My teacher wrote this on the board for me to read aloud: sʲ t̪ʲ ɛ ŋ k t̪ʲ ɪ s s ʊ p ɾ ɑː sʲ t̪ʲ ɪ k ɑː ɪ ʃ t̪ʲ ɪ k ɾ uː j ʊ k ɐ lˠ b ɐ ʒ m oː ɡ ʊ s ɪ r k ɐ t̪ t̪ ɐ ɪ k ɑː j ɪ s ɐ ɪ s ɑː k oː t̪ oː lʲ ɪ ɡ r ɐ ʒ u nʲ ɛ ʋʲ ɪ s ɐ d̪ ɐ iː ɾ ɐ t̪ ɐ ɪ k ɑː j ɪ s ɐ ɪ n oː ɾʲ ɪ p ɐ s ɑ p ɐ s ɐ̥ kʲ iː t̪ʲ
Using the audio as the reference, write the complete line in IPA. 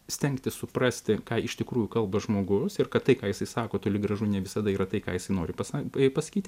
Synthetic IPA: sʲ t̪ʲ ɛ ŋ k t̪ʲ ɪ s s ʊ p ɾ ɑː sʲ t̪ʲ ɪ k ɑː ɪ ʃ t̪ʲ ɪ k ɾ uː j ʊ k ɐ lˠ b ɐ ʒ m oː ɡ ʊ s ɪ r k ɐ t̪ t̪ ɐ ɪ k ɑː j ɪ s ɐ ɪ s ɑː k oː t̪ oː lʲ ɪ ɡ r ɐ ʒ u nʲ ɛ ʋʲ ɪ s ɐ d̪ ɐ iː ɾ ɐ t̪ ɐ ɪ k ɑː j ɪ s ɐ ɪ n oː ɾʲ ɪ p ɐ s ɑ p ɐ s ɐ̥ kʲ iː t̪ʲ